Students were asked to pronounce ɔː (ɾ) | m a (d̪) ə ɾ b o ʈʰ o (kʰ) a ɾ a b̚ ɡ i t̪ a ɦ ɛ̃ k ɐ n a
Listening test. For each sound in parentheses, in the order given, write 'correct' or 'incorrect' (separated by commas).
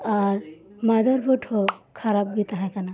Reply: correct, correct, correct